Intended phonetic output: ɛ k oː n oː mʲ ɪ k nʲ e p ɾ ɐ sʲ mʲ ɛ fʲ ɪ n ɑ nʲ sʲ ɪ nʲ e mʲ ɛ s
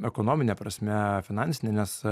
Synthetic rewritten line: ɛ k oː n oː mʲ ɪ nʲ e p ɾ ɐ sʲ mʲ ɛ fʲ ɪ n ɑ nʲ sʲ ɪ nʲ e nʲ ɛ s